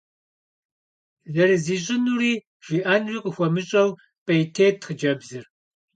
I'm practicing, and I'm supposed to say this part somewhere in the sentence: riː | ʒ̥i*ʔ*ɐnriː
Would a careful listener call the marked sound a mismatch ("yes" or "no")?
no